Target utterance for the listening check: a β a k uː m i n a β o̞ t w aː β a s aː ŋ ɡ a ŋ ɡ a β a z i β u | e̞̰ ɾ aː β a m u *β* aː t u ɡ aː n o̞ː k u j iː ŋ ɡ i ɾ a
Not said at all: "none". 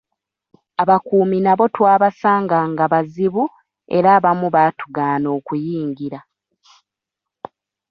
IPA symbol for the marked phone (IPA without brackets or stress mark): β